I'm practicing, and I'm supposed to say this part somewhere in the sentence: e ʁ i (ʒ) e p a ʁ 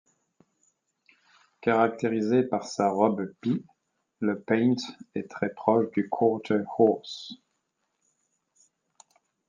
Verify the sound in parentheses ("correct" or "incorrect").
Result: incorrect